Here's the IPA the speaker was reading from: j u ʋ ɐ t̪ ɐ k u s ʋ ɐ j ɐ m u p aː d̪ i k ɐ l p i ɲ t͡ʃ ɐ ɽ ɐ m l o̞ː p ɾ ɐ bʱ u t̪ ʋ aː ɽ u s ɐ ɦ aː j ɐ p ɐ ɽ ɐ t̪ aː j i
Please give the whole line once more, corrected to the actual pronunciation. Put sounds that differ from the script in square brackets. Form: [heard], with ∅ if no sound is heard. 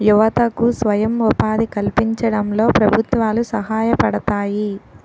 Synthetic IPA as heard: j u ʋ ɐ t̪ ɐ k u s ʋ ɐ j ɐ m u p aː d̪ i k ɐ l p i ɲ t͡ʃ ɐ ɽ ɐ m l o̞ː p ɾ ɐ bʱ u t̪ ʋ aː [l] u s ɐ ɦ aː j ɐ p ɐ ɽ ɐ t̪ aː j i